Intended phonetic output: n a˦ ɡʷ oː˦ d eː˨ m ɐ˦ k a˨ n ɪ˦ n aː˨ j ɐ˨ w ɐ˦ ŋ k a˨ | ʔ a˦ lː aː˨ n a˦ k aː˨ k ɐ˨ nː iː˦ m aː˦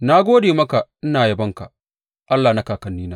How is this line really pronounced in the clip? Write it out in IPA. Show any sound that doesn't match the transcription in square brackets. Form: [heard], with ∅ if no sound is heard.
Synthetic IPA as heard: n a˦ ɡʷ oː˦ d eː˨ m ɐ˦ k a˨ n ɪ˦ n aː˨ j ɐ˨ [b] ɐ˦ ŋ k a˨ | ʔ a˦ lː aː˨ n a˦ k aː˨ k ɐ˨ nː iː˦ [n] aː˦